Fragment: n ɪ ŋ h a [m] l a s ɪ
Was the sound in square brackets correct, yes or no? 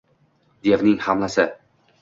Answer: yes